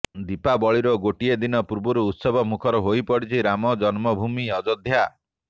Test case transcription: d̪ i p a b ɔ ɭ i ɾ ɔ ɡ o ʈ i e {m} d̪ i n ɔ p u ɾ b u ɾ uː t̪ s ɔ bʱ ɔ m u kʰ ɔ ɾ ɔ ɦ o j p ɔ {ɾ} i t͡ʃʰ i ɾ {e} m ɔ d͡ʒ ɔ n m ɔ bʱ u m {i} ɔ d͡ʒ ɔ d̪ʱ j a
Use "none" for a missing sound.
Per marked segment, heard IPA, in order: none, ɽ, a, i

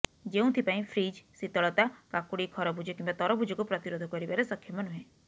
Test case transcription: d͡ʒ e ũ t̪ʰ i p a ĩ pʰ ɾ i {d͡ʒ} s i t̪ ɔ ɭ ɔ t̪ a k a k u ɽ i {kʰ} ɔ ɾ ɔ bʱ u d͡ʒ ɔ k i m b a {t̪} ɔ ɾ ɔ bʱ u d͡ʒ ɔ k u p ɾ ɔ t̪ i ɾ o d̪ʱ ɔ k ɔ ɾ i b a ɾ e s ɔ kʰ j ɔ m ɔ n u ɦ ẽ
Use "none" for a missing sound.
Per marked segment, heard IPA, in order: d͡ʒ, kʰ, t̪

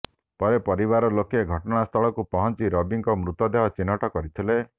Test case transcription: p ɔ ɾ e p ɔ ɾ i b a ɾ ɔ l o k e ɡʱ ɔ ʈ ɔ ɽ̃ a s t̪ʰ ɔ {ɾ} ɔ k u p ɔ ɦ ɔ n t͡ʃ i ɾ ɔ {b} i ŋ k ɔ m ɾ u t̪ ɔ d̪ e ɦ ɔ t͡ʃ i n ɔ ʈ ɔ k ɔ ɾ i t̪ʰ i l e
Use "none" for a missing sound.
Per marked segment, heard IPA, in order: ɭ, b

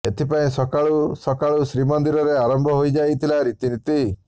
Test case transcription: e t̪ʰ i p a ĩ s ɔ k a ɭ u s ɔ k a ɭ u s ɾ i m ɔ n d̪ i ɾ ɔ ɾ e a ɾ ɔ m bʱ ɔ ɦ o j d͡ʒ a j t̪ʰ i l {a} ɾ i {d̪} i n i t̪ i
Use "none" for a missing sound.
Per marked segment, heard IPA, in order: a, t̪

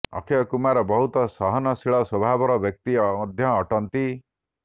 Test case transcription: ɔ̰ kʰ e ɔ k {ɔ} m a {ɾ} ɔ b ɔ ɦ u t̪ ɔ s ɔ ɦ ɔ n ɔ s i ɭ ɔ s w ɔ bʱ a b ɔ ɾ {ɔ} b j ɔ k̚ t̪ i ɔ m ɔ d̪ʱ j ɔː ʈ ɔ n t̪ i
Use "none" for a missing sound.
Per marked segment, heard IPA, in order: u, ɾ, ɔ

